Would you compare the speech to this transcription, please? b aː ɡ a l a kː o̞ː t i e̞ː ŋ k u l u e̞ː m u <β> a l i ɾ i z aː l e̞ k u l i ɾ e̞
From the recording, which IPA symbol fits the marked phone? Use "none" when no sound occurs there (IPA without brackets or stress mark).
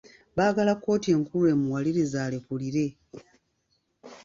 w